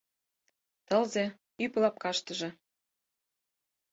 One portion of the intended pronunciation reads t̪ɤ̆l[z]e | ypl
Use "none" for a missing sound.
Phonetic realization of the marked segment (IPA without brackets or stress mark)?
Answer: z